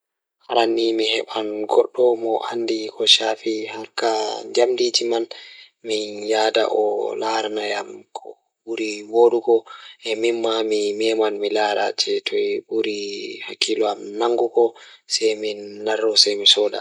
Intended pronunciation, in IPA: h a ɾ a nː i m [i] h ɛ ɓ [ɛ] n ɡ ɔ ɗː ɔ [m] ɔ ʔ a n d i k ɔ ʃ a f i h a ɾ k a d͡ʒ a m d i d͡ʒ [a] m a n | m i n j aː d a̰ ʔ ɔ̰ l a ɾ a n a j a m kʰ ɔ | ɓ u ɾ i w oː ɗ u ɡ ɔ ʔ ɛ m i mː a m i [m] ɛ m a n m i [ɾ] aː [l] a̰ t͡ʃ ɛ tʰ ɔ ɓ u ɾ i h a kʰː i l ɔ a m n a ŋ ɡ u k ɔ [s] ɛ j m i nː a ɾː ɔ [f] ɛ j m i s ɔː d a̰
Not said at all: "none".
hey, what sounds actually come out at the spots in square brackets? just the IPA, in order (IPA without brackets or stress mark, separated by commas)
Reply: i, a, m, i, m, l, ɾ, s, s